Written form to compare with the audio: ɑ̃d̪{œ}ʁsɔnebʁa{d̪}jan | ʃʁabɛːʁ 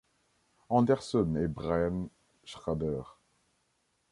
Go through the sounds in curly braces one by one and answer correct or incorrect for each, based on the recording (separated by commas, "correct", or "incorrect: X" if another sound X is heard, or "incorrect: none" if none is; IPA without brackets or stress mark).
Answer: incorrect: ɛ, incorrect: none